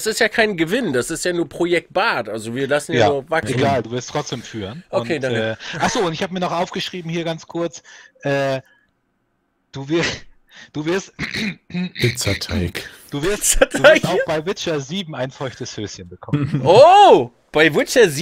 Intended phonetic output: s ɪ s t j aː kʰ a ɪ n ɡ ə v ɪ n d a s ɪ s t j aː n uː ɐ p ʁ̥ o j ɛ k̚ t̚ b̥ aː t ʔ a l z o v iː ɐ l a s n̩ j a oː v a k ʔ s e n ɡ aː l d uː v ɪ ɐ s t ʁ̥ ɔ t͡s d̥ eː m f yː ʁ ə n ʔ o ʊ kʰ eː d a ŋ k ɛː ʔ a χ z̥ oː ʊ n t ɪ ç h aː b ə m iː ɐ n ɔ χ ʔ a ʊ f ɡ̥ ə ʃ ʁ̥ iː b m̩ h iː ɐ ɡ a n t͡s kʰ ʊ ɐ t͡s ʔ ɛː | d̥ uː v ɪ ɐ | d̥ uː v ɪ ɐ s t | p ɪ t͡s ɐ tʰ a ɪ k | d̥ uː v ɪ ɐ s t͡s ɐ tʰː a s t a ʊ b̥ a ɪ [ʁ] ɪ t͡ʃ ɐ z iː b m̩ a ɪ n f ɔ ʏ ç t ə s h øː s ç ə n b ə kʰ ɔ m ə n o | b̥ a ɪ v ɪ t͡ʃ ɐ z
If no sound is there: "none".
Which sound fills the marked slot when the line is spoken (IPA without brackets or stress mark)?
v